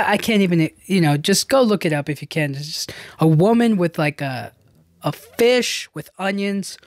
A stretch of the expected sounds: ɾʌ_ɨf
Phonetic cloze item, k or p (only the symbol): p